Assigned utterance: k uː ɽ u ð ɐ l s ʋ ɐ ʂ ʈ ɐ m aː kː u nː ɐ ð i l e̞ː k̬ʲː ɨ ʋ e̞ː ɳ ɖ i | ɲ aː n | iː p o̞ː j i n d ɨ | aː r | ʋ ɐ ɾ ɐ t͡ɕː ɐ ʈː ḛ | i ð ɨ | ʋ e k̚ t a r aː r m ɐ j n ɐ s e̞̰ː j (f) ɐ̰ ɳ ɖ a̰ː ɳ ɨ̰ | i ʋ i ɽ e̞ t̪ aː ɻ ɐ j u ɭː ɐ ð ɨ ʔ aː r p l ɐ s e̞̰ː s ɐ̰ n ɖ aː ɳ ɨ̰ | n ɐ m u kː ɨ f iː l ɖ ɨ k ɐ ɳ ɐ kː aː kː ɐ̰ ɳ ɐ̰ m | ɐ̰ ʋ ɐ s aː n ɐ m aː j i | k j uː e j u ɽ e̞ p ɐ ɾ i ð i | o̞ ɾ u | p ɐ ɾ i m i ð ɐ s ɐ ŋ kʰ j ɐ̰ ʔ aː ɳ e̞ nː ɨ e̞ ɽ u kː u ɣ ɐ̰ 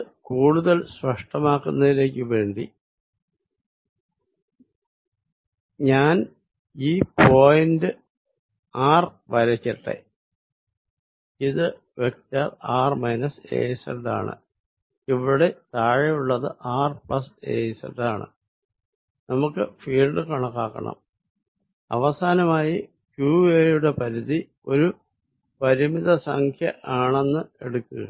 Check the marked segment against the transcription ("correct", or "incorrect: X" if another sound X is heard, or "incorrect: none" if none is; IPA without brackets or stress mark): incorrect: s